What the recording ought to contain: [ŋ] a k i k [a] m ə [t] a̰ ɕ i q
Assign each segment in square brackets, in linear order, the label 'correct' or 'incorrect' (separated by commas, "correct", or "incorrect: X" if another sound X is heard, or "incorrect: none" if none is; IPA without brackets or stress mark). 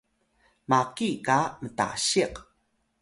incorrect: m, correct, correct